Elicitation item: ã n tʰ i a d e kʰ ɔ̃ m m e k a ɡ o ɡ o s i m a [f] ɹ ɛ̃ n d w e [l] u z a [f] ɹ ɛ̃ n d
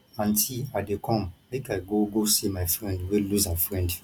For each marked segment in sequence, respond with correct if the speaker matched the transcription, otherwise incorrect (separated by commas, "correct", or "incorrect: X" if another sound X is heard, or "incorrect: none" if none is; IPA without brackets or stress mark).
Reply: correct, correct, correct